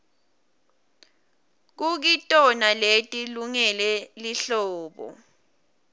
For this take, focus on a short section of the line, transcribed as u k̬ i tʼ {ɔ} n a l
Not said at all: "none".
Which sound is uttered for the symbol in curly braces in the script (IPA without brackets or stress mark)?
ɔ